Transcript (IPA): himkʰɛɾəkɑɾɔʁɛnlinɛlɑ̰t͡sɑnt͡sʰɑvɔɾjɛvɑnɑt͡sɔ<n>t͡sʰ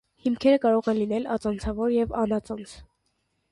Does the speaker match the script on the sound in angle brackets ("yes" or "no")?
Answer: yes